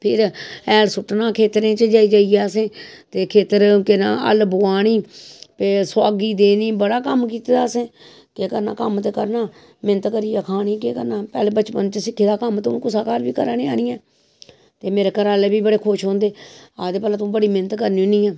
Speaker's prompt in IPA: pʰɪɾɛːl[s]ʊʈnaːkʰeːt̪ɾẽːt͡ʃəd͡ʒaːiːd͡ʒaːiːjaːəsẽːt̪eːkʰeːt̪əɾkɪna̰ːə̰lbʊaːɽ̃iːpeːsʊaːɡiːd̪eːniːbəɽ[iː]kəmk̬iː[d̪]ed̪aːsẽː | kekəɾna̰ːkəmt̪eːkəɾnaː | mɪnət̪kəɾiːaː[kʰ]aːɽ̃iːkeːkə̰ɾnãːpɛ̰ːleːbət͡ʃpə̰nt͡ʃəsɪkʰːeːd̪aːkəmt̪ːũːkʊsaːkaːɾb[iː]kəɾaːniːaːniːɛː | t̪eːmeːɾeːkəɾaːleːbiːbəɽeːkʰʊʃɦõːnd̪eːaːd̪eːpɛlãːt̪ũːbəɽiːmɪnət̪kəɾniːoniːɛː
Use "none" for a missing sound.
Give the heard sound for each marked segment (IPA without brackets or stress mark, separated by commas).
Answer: s, aː, t̪, kʰ, iː